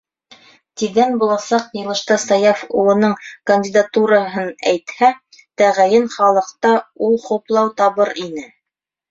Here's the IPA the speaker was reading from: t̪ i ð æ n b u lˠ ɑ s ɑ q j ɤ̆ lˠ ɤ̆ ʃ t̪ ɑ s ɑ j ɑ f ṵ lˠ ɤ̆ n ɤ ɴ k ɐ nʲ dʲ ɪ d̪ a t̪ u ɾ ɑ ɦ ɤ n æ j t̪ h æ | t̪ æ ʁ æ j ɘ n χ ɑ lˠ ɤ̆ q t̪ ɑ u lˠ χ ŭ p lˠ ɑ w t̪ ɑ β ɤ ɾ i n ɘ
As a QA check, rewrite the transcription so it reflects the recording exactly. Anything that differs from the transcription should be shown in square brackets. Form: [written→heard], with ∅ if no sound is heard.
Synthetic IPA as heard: t̪ i ð æ n b u lˠ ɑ s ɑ q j ɤ̆ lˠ ɤ̆ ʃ t̪ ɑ s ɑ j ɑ f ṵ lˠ ɤ̆ n ɤ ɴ k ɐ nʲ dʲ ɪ d̪ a t̪ u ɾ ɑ ɦ ɤ n æ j t̪ h æ | t̪ æ ʁ æ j ɘ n χ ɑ lˠ ɤ̆ q t̪ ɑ u lˠ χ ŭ p lˠ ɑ w t̪ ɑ β ɤ ɾ i n ɘ

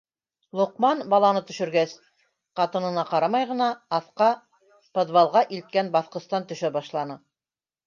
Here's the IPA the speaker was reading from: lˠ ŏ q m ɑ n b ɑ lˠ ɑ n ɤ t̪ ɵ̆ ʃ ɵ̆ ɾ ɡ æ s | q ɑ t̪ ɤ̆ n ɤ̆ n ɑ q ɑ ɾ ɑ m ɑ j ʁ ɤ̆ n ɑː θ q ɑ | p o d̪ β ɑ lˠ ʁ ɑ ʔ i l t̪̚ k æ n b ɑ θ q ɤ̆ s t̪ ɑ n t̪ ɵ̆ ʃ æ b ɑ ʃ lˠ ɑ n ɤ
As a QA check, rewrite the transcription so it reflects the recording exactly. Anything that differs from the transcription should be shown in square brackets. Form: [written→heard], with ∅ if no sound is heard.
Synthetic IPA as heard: lˠ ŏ q m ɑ n b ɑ lˠ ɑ n ɤ t̪ ɵ̆ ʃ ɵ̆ ɾ ɡ æ s | q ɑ t̪ ɤ̆ n ɤ̆ n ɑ q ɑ ɾ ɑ m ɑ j ʁ ɤ̆ n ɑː θ q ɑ | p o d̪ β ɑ lˠ ʁ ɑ ʔ i l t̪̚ k æ n b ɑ θ q ɤ̆ s t̪ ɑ n t̪ ɵ̆ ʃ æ b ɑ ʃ lˠ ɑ n ɤ

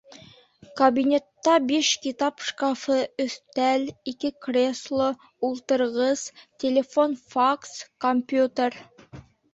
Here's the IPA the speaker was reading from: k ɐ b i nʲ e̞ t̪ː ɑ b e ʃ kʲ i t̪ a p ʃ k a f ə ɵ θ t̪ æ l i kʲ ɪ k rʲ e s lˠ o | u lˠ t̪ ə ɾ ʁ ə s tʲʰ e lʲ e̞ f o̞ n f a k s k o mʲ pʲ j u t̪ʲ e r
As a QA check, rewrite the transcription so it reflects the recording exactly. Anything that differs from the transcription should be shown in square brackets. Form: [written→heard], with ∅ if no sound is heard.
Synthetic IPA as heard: k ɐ b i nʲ e̞ t̪ː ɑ b e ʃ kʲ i t̪ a p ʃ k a f ə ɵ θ t̪ æ l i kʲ ɪ k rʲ e s lˠ o | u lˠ t̪ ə ɾ ʁ ə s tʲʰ e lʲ e̞ f o̞ n f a k s k o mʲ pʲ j u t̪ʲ e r

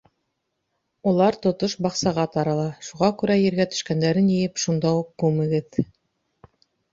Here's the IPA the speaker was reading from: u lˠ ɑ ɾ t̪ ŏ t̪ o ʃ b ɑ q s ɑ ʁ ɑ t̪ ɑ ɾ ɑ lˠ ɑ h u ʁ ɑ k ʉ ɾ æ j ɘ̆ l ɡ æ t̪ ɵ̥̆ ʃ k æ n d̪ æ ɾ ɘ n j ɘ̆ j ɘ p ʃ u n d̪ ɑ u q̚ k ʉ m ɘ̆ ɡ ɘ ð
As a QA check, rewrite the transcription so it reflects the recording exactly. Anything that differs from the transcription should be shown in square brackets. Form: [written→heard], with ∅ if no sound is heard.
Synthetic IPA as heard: u lˠ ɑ ɾ t̪ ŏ t̪ o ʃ b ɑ q s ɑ ʁ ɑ t̪ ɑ ɾ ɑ lˠ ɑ [h→ʃ] u ʁ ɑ k ʉ ɾ æ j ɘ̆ [l→ɾ] ɡ æ t̪ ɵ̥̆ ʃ k æ n d̪ æ ɾ ɘ n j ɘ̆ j ɘ p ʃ u n d̪ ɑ u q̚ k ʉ m ɘ̆ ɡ ɘ ð

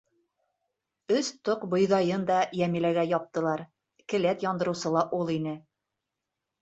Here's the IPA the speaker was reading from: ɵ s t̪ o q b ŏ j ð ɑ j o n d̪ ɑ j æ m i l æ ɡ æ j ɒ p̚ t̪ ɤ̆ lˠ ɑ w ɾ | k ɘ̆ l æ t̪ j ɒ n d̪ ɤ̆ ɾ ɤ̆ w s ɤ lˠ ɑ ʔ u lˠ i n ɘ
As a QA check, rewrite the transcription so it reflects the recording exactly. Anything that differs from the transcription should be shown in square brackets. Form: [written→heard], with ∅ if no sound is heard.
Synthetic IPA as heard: ɵ s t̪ o q b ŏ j ð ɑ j [o→ɤ] n d̪ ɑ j æ m i l æ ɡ æ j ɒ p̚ t̪ ɤ̆ lˠ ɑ [w→∅] ɾ | k ɘ̆ l æ t̪ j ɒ n d̪ ɤ̆ ɾ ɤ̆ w s ɤ lˠ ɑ ʔ u lˠ i n ɘ

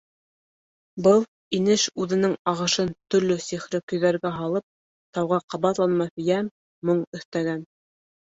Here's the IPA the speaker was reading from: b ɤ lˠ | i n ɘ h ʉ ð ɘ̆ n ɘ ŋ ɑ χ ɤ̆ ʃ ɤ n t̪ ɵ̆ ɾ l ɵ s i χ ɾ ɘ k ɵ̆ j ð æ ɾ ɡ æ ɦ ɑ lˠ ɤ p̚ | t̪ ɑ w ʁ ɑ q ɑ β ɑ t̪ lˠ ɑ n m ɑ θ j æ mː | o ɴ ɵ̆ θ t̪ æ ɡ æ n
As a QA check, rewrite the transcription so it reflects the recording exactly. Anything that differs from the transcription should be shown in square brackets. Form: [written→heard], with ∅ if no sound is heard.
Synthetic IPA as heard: b ɤ lˠ | i n ɘ [h→ʃ] ʉ ð ɘ̆ n ɘ ŋ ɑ [χ→ʁ] ɤ̆ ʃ ɤ n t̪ ɵ̆ ɾ l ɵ s i χ ɾ ɘ k ɵ̆ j ð æ ɾ ɡ æ ɦ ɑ lˠ ɤ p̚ | t̪ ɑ w ʁ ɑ q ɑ β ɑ t̪ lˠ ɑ n m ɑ θ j æ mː | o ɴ ɵ̆ θ t̪ æ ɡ æ n

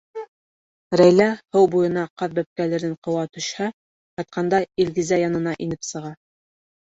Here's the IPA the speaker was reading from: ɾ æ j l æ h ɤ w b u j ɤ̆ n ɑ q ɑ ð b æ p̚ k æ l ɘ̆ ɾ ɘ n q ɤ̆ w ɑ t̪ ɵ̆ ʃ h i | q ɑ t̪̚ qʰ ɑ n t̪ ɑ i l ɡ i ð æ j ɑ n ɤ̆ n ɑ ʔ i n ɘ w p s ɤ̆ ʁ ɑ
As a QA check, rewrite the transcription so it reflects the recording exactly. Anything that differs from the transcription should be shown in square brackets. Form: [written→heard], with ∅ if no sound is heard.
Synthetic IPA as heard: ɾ æ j l æ h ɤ w b u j ɤ̆ n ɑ q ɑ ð b æ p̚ k æ l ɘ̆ ɾ ɘ [n→ɴ] q ɤ̆ w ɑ t̪ ɵ̆ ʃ h [i→æ] | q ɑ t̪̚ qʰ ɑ n [t̪→d̪] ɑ i l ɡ i [ð→z] æ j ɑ n ɤ̆ n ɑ ʔ i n ɘ [w→∅] p s ɤ̆ ʁ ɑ

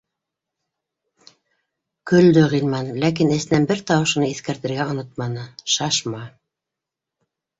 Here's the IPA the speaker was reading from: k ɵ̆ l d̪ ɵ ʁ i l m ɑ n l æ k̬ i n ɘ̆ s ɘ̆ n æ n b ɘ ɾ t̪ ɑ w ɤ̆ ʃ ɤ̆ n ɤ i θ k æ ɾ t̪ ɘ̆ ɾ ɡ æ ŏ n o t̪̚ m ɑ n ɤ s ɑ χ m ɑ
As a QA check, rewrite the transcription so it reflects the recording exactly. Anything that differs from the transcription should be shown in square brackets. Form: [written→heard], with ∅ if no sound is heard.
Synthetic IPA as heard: k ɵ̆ l d̪ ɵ ʁ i l m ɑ n l æ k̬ i n ɘ̆ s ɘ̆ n æ n b ɘ ɾ t̪ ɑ w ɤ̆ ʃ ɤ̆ n ɤ i θ k æ ɾ t̪ ɘ̆ ɾ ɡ æ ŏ n o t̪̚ m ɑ n ɤ [s→ʃ] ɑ [χ→ʃ] m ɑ

